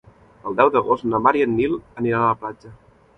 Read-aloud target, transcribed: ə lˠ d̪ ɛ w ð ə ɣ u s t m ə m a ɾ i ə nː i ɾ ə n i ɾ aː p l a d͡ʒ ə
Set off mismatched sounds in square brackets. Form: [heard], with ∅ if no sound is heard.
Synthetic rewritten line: ə lˠ d̪ ɛ w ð ə ɣ [o] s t [n] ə m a ɾ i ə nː i [l] ə n i ɾ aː p l a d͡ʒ ə